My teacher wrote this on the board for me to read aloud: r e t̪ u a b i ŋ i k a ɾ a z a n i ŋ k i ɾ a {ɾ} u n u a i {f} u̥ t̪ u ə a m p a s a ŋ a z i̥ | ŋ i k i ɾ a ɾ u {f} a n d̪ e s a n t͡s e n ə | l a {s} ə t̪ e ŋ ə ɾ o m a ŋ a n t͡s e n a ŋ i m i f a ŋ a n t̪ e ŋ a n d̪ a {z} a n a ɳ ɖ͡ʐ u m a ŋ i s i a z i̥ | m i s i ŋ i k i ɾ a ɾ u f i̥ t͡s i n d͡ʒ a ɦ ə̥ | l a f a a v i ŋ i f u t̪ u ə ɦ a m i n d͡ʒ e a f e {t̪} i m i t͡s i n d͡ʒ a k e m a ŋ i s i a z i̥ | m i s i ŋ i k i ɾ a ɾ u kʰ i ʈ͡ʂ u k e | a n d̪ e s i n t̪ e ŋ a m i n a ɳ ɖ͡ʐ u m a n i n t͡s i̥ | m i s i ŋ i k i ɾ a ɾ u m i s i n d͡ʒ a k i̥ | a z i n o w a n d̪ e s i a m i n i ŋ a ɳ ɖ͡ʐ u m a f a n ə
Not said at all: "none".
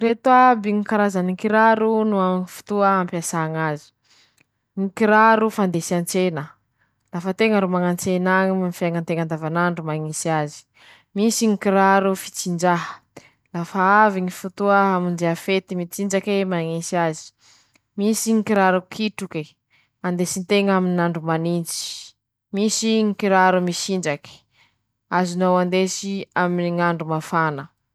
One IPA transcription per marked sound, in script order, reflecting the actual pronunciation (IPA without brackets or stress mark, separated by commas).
ɾ, f, f, f, v, t̪